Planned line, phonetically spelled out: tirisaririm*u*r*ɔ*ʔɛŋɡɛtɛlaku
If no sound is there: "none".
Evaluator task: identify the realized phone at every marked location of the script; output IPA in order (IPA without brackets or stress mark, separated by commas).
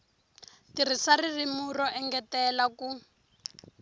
u, ɔ